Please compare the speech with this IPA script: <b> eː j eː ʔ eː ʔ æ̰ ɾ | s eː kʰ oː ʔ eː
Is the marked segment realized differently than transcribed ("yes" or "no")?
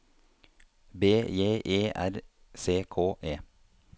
no